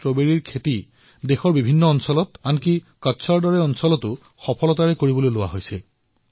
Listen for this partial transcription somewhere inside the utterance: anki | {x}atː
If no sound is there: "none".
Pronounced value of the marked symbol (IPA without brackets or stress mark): k